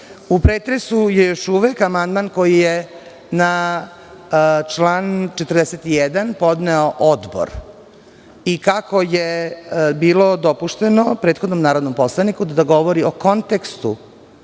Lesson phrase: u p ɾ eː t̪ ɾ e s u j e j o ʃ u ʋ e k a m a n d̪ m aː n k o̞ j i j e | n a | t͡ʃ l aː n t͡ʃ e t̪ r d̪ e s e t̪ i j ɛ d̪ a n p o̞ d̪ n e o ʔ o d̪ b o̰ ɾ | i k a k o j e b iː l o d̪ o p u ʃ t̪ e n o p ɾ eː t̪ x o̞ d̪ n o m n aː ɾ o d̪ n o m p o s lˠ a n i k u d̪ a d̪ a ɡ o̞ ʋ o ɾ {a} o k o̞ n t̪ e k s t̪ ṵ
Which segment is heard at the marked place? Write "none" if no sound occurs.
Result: i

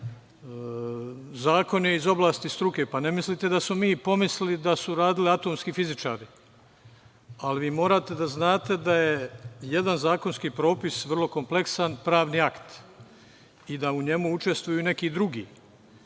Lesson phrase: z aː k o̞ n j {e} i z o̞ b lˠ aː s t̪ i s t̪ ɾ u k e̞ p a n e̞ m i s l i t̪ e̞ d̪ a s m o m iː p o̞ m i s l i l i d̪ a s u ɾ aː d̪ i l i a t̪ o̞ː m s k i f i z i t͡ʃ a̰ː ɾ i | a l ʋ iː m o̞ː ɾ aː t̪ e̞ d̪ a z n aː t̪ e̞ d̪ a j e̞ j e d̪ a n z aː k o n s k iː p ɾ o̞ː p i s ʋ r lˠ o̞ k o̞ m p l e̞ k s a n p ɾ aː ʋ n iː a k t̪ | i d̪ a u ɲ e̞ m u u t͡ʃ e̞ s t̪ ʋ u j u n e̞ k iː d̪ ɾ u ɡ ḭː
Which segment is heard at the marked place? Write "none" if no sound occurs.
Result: e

